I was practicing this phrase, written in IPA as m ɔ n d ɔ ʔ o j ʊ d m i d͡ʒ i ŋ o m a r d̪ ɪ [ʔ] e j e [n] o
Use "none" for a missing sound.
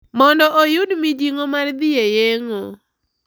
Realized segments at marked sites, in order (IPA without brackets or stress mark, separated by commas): none, ŋ